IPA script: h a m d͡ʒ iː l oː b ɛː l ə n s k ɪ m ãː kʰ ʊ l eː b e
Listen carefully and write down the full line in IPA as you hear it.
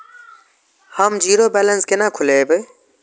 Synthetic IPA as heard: h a m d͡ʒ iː ɾ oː b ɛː l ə n s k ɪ n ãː kʰ ʊ l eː b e